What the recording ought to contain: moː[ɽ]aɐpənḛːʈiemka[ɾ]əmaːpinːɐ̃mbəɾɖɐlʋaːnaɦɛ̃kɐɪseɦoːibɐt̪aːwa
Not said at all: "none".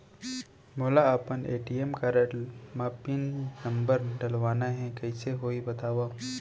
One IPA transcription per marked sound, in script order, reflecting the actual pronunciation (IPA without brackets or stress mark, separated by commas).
l, ɾ